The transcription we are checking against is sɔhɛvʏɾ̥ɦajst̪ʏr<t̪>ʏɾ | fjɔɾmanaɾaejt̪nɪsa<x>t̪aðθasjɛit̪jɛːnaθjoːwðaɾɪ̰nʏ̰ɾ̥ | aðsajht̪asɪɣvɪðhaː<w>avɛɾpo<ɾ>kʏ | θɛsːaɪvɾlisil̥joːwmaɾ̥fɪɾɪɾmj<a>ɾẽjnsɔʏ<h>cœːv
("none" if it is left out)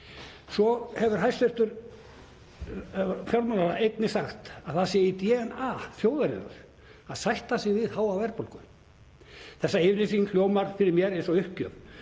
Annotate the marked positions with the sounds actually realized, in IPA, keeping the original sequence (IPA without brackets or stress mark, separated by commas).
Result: t̪, x, w, l, ɛ, h